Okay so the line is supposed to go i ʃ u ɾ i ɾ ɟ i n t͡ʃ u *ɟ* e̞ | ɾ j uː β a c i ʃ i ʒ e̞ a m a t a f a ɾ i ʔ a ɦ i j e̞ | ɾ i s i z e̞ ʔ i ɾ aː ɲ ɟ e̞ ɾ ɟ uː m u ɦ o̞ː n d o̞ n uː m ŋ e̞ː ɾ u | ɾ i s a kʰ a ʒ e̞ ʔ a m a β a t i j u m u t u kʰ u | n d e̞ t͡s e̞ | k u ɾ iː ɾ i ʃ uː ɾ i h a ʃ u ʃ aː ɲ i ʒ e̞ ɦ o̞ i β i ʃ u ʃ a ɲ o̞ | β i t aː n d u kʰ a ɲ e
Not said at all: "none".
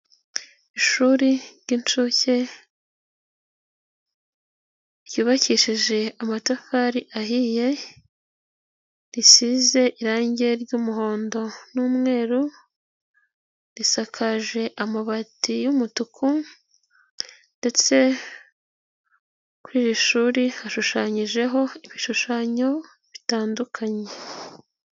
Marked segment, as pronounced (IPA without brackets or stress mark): c